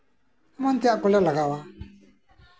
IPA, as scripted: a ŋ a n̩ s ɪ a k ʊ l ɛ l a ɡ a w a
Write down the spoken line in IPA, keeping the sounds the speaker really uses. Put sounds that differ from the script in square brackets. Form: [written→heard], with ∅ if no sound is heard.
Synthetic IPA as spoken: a [ŋ→m] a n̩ [s→t] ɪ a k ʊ l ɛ l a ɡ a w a